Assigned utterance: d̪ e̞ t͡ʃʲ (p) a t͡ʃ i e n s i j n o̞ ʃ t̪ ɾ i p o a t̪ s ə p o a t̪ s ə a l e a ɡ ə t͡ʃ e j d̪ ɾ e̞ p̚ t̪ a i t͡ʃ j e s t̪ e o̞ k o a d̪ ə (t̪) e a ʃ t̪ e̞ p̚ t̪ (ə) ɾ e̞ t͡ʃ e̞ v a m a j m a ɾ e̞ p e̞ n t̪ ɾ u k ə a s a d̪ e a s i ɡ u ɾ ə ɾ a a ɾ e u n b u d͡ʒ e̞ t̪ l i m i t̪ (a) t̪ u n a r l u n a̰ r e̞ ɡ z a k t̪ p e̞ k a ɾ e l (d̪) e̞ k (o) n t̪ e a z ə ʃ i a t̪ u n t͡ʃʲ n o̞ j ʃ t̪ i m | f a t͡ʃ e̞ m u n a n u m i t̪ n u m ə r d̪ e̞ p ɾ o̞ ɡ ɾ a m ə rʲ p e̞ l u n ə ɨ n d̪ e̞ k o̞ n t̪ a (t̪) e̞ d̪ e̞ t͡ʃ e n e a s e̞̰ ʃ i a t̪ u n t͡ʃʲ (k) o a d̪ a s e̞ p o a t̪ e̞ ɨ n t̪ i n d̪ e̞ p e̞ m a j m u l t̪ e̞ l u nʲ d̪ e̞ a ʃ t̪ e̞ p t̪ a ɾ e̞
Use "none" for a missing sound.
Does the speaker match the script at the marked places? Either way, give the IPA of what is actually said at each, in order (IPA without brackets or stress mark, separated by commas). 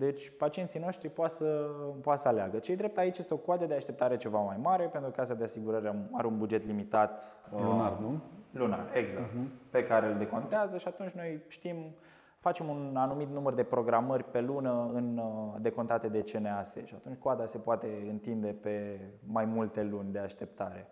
p, d̪, a, a, d̪, o, t̪, k